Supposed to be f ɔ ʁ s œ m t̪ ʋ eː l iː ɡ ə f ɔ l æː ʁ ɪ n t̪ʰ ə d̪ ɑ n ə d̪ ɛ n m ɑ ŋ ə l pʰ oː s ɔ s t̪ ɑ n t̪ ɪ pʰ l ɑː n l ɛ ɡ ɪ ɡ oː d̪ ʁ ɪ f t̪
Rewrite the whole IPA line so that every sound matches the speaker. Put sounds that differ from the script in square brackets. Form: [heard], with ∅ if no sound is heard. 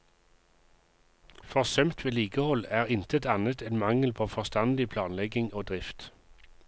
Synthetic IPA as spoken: f ɔ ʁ s œ m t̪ ʋ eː l iː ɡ ə [h] ɔ l æː ʁ ɪ n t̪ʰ ə [t̪] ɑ n ə [t̪] ɛ n m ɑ ŋ ə l pʰ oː [f] ɔ s t̪ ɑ n [d̪] ɪ pʰ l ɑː n l ɛ ɡ ɪ [ŋ] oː d̪ ʁ ɪ f t̪

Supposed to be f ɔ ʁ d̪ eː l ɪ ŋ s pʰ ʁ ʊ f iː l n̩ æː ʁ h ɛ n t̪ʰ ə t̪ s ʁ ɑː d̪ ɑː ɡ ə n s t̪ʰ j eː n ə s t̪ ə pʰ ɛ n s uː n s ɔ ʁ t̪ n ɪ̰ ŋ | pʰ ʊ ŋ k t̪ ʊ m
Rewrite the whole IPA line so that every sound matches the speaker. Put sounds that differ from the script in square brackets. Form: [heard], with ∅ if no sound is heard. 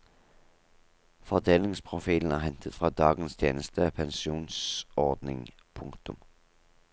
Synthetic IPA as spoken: f ɔ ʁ d̪ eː l ɪ ŋ s pʰ ʁ ʊ f iː l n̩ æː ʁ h ɛ n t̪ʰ ə t̪ [f] ʁ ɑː d̪ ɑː ɡ ə n s t̪ʰ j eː n ə s t̪ ə pʰ ɛ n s uː n s ɔ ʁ [d̪] n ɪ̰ ŋ | pʰ ʊ ŋ k t̪ ʊ m

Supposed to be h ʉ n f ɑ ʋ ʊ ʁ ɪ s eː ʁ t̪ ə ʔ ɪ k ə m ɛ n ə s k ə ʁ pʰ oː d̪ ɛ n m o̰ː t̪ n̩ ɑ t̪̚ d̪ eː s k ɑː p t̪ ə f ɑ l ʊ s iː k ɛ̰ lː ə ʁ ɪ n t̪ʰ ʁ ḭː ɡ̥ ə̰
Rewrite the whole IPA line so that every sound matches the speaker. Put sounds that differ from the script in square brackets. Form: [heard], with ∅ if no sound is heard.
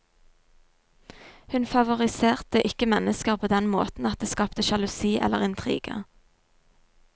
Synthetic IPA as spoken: h ʉ n f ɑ ʋ ʊ ʁ ɪ s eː ʁ t̪ ə ʔ ɪ k ə m ɛ n ə s k ə ʁ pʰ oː d̪ ɛ n m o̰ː t̪ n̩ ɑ t̪̚ d̪ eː s k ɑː p t̪ ə [ʃ] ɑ l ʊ s iː [ʔ] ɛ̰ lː ə ʁ ɪ n t̪ʰ ʁ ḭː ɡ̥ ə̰

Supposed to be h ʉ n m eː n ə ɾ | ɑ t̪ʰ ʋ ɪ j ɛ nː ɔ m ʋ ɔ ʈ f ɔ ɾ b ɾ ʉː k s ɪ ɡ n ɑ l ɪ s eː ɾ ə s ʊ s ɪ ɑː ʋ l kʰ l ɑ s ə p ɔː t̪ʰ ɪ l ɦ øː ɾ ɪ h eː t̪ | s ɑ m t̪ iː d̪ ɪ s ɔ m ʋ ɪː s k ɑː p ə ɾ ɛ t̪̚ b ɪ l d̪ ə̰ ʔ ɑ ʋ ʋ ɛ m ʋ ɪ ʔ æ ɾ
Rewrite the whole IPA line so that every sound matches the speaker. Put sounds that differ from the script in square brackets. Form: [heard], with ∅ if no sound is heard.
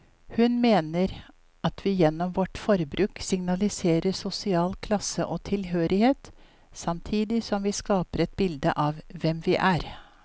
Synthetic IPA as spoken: h ʉ n m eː n ə ɾ | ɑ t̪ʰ ʋ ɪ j ɛ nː ɔ m ʋ ɔ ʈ f ɔ ɾ b ɾ ʉː k s ɪ [ŋ] n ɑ l ɪ s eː ɾ ə s ʊ s ɪ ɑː [∅] l kʰ l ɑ s ə [ʔ] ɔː t̪ʰ ɪ l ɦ øː ɾ ɪ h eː t̪ | s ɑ m [t̪ʰ] iː d̪ ɪ s ɔ m ʋ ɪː s k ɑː p ə ɾ ɛ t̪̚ b ɪ l d̪ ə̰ ʔ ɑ ʋ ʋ ɛ m ʋ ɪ ʔ æ ɾ

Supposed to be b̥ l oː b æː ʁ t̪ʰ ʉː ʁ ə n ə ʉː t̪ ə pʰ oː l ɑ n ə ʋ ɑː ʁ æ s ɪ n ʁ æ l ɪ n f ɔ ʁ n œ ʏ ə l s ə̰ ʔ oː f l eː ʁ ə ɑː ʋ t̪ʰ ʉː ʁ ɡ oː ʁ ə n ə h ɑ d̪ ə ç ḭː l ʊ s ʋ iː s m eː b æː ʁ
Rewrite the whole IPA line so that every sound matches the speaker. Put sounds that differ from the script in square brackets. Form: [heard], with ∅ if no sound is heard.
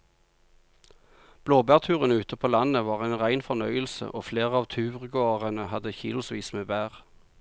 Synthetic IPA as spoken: b̥ l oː b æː ʁ t̪ʰ ʉː ʁ ə n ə ʉː t̪ ə pʰ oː l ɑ n ə ʋ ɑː ʁ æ [∅] ɪ n ʁ æ [∅] ɪ n f ɔ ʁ n œ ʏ ə l s ə̰ ʔ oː f l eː ʁ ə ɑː ʋ t̪ʰ ʉː ʁ ɡ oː ʁ ə n ə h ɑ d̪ ə ç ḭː l ʊ s ʋ iː s m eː b æː ʁ

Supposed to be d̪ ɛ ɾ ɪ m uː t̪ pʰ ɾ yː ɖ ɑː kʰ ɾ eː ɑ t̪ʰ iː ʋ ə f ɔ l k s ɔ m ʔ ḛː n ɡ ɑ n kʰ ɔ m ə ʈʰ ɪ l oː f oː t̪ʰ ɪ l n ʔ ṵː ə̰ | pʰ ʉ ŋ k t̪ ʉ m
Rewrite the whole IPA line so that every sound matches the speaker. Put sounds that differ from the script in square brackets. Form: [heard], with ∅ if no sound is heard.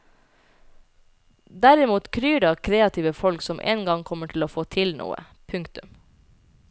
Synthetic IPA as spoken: d̪ [æ] ɾ ɪ m uː t̪ [kʰ] ɾ yː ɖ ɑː kʰ ɾ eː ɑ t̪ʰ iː ʋ ə f ɔ l k s ɔ m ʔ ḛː n ɡ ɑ [ŋ] kʰ ɔ m ə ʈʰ ɪ l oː f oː t̪ʰ ɪ l n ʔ ṵː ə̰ | pʰ ʉ ŋ k t̪ ʉ m

